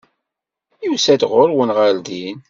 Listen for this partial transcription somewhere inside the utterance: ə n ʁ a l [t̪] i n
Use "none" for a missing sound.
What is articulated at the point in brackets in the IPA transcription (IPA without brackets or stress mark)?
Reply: d̪